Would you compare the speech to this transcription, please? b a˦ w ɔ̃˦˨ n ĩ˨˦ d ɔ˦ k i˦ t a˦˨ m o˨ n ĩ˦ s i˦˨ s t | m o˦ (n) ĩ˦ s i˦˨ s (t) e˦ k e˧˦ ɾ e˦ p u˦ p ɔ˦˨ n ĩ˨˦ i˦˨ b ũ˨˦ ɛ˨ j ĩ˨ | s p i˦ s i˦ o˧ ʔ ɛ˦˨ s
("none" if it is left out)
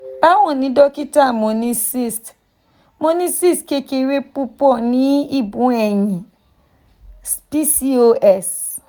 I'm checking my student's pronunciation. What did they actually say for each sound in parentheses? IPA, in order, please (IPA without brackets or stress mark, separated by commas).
n, k